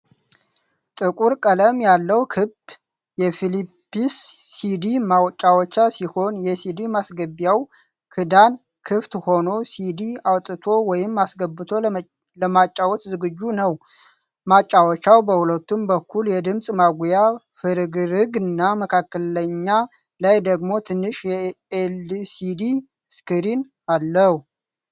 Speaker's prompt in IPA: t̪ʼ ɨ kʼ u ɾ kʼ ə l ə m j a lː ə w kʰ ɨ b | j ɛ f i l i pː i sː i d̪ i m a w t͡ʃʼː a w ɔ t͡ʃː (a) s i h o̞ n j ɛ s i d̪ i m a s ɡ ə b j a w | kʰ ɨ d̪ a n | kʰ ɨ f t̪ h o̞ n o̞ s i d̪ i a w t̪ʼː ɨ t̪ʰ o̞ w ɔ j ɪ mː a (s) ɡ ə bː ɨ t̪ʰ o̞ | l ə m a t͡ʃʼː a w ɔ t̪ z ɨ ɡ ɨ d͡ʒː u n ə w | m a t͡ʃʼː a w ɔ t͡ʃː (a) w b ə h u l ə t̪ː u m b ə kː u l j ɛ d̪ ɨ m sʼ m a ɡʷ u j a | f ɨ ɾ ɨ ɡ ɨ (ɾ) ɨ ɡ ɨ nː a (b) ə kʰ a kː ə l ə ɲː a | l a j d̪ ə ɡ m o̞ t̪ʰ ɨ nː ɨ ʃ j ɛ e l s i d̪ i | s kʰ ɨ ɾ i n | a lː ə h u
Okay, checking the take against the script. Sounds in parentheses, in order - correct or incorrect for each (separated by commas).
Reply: correct, correct, correct, correct, incorrect